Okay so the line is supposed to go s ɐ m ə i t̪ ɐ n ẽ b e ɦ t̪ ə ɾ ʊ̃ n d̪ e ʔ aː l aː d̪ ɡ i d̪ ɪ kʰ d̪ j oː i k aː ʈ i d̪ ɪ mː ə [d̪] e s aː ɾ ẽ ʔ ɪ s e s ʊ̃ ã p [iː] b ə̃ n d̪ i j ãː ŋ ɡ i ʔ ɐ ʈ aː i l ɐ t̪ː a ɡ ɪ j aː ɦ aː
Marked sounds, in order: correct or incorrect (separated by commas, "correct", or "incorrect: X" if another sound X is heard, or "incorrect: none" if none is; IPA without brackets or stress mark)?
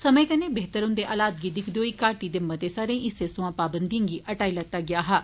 incorrect: t̪, incorrect: aː